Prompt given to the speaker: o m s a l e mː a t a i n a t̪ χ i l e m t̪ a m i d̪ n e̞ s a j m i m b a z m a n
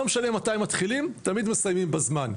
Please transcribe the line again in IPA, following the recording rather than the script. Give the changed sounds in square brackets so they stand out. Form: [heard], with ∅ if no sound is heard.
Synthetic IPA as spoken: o m [ʃ] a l e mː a t a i [m] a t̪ χ i l [i] m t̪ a m i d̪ [m] e̞ s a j m i m b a z m a n

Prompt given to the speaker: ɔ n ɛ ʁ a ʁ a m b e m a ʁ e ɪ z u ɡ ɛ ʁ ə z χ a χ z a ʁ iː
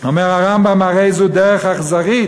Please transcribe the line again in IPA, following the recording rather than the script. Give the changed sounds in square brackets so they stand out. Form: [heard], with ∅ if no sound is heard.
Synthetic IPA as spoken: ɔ [m] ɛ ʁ a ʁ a m b [a] m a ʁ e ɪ z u [d] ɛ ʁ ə [∅] χ a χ z a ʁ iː

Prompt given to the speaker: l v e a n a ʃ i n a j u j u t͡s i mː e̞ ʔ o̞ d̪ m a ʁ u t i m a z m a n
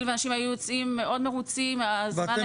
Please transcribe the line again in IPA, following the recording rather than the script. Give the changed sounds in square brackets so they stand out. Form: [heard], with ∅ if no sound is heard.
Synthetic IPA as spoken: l v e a n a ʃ i [m] a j u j [o] t͡s i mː e̞ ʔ o̞ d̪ m [e] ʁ u [t͡s] i m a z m a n

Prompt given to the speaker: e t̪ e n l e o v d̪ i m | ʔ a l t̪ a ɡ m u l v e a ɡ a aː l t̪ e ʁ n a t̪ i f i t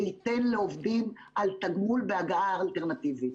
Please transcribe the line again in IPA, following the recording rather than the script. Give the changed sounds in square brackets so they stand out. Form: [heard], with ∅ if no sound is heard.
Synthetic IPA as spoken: [i] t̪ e n l e o v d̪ i m | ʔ a l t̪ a ɡ m u l [b] e a ɡ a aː l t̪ e ʁ n a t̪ i [v] i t

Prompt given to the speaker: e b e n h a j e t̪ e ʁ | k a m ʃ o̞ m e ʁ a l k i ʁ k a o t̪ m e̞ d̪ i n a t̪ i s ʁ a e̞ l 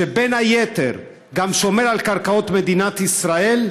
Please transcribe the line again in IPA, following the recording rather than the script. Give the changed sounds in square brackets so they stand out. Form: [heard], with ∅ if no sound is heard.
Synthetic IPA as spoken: e b e n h a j e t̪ e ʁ | [ɡ] a m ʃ o̞ m e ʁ a l k [a] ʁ k a o t̪ m e̞ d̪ i n a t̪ i s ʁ a e̞ l

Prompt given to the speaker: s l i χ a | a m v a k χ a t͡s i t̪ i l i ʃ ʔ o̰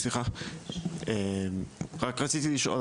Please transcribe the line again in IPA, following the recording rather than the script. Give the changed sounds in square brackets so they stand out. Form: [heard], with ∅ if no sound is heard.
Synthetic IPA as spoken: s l i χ a | [e] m [ʁ] a k [ʁ] a t͡s i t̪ i l i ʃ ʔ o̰

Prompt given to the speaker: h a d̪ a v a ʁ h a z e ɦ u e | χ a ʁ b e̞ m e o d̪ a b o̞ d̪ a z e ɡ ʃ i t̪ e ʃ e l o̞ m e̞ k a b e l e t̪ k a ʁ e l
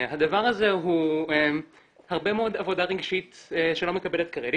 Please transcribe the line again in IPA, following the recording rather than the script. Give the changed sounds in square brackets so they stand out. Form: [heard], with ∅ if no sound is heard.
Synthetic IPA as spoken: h a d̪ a v a ʁ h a z e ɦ u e | [h] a ʁ b e̞ m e o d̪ a [v] o̞ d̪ a [ʁ] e ɡ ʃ i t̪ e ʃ e l o̞ m e̞ k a b e l e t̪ k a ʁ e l

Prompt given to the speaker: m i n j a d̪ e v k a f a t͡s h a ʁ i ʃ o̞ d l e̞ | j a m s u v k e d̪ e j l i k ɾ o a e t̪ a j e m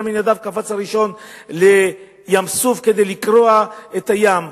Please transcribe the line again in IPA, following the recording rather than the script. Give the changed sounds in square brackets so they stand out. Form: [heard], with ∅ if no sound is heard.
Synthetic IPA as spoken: m i n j a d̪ [a] v k a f a t͡s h a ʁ i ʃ o̞ [n] l e̞ | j a m s u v k e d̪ e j l i k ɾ o a e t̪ a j [a] m

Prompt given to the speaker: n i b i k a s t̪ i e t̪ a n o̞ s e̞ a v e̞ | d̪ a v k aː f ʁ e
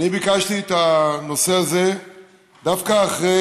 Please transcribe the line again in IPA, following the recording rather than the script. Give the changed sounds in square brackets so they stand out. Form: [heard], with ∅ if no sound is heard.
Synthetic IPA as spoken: n i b i k a [ʃ] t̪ i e t̪ a n o̞ s e̞ a [z] e̞ | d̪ a [f] k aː [χ] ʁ e

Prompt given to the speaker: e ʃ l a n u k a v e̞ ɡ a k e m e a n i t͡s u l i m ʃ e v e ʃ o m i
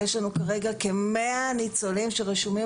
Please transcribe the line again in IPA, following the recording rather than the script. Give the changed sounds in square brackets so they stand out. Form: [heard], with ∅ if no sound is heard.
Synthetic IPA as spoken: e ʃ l a n u k a [ʁ] e̞ ɡ a k e m e a n i t͡s [o] l i m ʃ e [ʁ] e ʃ [u] m i

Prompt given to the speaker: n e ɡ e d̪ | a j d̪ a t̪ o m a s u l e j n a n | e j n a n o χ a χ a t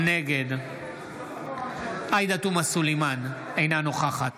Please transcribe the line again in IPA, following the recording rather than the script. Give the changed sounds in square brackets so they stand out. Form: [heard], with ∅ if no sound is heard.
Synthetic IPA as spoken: n e ɡ e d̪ | a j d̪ a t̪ [u] m a s u l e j [m] a n | e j n a n o χ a χ a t

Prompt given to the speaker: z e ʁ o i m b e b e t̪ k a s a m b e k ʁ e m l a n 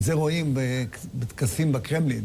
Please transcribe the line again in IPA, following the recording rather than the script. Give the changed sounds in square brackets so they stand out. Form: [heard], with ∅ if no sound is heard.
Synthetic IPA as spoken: z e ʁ o i m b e b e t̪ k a s [i] m b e k ʁ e m l [i] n

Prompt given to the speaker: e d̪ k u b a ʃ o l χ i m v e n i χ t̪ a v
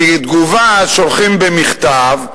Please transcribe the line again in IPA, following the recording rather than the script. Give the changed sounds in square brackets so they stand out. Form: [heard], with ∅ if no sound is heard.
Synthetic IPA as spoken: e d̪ [ɡ] u [v] a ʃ o l χ i m [b] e [m] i χ t̪ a v

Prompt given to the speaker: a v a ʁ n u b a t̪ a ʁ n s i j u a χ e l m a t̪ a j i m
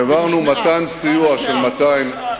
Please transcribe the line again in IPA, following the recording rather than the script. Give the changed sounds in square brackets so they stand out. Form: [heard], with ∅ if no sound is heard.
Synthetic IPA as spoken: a v a ʁ n u [m] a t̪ a [∅] n s i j u a [ʃ] e l m a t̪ a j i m

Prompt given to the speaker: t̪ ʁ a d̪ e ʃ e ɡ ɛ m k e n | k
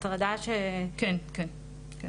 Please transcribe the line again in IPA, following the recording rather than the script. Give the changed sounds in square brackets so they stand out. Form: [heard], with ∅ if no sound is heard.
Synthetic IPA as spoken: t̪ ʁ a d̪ [a] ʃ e [k] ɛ [n] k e n | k

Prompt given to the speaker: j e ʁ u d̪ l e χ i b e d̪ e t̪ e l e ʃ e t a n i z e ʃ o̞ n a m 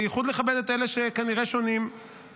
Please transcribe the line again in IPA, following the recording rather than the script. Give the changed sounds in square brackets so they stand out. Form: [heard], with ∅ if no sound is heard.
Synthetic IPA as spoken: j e [χ] u d̪ l e χ [a] b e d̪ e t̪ e l e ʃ e [k] a n i [ʁ] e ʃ o̞ n [i] m

